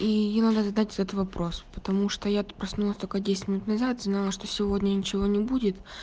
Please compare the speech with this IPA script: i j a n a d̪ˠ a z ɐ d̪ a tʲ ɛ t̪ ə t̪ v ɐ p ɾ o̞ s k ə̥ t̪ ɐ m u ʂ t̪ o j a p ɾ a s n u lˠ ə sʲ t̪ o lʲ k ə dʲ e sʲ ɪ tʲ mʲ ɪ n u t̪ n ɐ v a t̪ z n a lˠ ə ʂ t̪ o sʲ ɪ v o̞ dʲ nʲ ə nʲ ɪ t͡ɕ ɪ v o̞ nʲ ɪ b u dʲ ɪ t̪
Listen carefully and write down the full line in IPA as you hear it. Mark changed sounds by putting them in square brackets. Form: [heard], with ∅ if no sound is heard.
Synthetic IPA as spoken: i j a n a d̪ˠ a z ɐ d̪ a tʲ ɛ t̪ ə t̪ v ɐ p ɾ o̞ s [p] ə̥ t̪ ɐ m u ʂ t̪ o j a p ɾ [ɐ] s n u lˠ ə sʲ t̪ o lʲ k ə dʲ e sʲ ɪ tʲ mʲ ɪ n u t̪ n ɐ [z] a t̪ z n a lˠ ə ʂ t̪ o sʲ ɪ v o̞ dʲ nʲ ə nʲ ɪ t͡ɕ ɪ v o̞ nʲ ɪ b u dʲ ɪ t̪

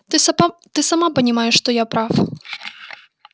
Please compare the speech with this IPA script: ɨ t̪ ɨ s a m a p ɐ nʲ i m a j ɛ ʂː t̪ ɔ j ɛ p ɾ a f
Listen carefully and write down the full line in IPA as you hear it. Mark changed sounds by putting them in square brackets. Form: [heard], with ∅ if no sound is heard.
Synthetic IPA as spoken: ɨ t̪ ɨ s a m a p ɐ nʲ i m a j ɛ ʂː t̪ ɔ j [a] p ɾ a f

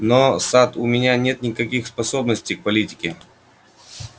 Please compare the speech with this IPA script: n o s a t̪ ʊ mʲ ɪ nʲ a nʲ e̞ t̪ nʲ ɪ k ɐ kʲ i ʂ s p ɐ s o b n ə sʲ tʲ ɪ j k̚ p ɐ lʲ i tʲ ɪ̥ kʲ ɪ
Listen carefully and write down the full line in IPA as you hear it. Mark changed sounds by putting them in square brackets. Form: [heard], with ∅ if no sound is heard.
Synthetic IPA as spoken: n o s a t̪ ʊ mʲ ɪ nʲ a nʲ e̞ t̪ nʲ ɪ k ɐ kʲ i [x] s p ɐ s o b n ə sʲ tʲ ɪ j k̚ p ɐ lʲ i tʲ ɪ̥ kʲ ɪ

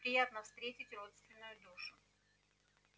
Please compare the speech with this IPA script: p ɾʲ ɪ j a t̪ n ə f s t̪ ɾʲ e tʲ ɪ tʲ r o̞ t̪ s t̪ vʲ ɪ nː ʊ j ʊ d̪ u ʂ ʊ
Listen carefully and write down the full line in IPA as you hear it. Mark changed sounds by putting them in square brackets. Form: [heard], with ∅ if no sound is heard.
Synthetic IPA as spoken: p ɾʲ ɪ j a t̪ n ə f s t̪ ɾʲ e tʲ ɪ tʲ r o̞ t̪ s t̪ vʲ ɪ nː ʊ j ʊ d̪ u ʂ ʊ

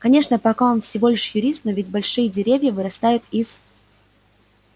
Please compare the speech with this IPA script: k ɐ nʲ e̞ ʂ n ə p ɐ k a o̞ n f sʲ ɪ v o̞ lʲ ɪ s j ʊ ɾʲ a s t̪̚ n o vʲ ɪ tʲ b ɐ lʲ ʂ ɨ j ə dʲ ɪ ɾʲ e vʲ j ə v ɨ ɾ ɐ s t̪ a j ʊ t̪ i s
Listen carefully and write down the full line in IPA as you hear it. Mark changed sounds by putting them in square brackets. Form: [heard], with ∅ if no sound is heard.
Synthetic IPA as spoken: k ɐ nʲ e̞ ʂ n ə p ɐ k a o̞ n f sʲ ɪ v o̞ lʲ ɪ [ʂ] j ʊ ɾʲ [i] s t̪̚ n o vʲ ɪ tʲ b ɐ lʲ ʂ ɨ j ə dʲ ɪ ɾʲ e vʲ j ə v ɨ ɾ ɐ s t̪ a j ʊ t̪ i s

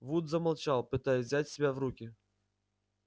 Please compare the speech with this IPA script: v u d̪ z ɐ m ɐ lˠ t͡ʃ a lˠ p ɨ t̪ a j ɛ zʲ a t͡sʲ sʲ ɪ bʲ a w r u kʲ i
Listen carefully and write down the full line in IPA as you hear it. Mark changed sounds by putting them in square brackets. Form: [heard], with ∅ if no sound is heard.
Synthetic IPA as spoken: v u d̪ z ɐ m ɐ lˠ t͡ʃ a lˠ p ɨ t̪ a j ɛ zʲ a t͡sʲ sʲ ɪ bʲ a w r u kʲ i

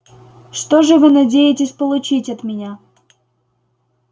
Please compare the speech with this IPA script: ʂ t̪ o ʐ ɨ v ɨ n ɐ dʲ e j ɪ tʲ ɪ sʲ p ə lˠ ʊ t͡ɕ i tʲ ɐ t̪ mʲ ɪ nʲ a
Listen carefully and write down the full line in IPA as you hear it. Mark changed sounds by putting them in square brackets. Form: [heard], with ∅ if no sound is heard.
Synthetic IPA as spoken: ʂ t̪ o ʐ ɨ v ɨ n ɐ dʲ e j ɪ tʲ ɪ sʲ p ə lˠ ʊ t͡ɕ i tʲ ɐ t̪ mʲ ɪ nʲ a

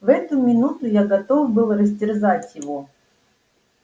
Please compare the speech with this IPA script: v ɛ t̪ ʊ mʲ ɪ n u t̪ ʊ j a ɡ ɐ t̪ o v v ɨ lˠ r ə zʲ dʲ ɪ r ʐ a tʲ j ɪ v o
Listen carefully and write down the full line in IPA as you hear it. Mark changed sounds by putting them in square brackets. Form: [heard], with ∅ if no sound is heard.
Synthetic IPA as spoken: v ɛ t̪ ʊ mʲ ɪ n u t̪ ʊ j a ɡ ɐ t̪ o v [b] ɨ lˠ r ə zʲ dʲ ɪ r [z] a tʲ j ɪ v o

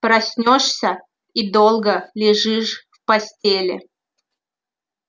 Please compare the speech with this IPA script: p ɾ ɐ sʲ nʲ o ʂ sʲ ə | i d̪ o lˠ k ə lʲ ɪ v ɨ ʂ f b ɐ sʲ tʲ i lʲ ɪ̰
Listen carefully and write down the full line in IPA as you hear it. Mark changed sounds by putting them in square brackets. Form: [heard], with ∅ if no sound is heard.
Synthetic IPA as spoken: p ɾ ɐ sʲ nʲ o ʂ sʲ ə | i d̪ o lˠ [ɡ] ə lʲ ɪ [ʐ] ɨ ʂ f [p] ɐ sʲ tʲ [e] lʲ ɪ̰

